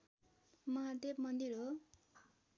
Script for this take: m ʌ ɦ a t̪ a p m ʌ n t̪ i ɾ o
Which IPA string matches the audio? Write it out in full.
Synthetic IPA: m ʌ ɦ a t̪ e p m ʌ n d̪ i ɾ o